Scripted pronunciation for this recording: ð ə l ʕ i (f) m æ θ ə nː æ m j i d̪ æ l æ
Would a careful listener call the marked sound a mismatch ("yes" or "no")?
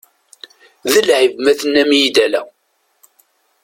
yes